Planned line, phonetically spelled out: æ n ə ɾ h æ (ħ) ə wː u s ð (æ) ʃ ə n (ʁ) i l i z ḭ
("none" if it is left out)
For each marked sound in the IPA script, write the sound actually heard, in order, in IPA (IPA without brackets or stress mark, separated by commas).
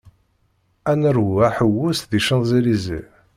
ħ, i, z